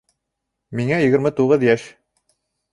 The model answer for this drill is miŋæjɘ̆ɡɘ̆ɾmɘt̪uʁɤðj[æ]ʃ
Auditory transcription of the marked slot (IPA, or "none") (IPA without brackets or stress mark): æ